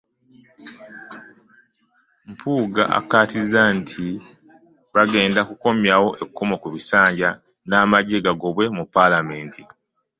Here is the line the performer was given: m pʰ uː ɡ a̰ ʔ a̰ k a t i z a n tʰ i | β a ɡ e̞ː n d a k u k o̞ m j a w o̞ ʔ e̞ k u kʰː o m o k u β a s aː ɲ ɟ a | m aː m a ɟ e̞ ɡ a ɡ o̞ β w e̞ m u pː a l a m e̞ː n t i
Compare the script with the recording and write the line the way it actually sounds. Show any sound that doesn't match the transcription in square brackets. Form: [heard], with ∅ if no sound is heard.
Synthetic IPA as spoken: m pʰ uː ɡ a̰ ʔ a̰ k a t i z a n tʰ i | β a ɡ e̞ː n d a k u k o̞ m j a w o̞ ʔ e̞ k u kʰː o m o k u β [i] s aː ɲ ɟ a | [n] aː m a ɟ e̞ ɡ a ɡ o̞ β w e̞ m u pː a l a m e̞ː n t i